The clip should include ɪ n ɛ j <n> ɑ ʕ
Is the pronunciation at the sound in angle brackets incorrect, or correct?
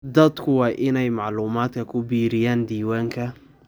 incorrect